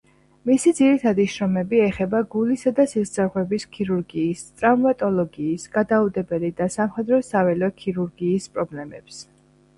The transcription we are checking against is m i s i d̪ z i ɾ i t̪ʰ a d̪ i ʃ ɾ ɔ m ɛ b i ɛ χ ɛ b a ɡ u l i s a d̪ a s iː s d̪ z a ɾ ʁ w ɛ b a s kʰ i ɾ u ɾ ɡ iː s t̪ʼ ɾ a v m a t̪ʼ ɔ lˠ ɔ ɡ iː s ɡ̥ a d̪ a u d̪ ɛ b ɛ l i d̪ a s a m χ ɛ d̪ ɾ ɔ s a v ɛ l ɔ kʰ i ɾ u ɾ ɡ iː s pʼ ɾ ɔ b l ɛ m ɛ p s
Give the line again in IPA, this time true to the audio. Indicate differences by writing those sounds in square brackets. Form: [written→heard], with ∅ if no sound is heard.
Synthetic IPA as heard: m i s i d̪ z i ɾ i t̪ʰ a d̪ i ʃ ɾ ɔ m ɛ b i ɛ χ ɛ b a ɡ u l i s a d̪ a s [iː→i] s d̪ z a ɾ ʁ w ɛ b [a→i] s kʰ i ɾ u ɾ ɡ iː s t̪ʼ ɾ a v m a t̪ʼ ɔ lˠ ɔ ɡ iː s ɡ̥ a d̪ a u d̪ ɛ b ɛ l i d̪ a s a m χ ɛ d̪ ɾ ɔ s a v ɛ l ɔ kʰ i ɾ u ɾ ɡ iː s pʼ ɾ ɔ b l ɛ m ɛ p s

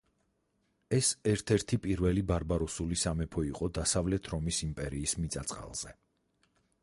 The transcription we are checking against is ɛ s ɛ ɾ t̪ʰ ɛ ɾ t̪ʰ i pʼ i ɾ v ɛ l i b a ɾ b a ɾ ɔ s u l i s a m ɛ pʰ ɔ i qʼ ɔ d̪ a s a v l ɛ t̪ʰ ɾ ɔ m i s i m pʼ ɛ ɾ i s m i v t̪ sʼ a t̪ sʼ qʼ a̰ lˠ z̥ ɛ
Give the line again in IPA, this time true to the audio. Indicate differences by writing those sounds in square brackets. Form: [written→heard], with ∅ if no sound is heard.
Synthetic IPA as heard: ɛ s ɛ ɾ t̪ʰ ɛ ɾ t̪ʰ i pʼ i ɾ v ɛ l i b a ɾ b a ɾ ɔ s u l i s a m ɛ pʰ ɔ i qʼ ɔ d̪ a s a v l ɛ t̪ʰ ɾ ɔ m i s i m pʼ ɛ ɾ [i→iː] s m i [v→∅] t̪ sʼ a t̪ sʼ qʼ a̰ lˠ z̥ ɛ

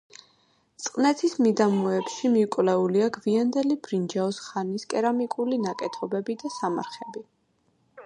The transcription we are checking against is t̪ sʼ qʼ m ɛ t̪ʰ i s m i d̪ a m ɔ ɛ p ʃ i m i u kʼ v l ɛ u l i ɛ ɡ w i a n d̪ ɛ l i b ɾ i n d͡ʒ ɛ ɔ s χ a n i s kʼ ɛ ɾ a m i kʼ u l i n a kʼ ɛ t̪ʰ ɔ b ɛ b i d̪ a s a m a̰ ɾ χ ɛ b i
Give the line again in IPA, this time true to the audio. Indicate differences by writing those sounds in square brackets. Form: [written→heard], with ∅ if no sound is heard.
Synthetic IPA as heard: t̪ sʼ qʼ [m→n] ɛ t̪ʰ i s m i d̪ a m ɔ ɛ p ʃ i m i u kʼ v l ɛ u l i [ɛ→a] ɡ [w→v] i a n d̪ ɛ l i b ɾ i n d͡ʒ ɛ ɔ s χ a n i s kʼ ɛ ɾ a m i kʼ u l i n a kʼ ɛ t̪ʰ ɔ b ɛ b i d̪ a s a m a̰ ɾ χ ɛ b i

